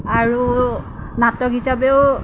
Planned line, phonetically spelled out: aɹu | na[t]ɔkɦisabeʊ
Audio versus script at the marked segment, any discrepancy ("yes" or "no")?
no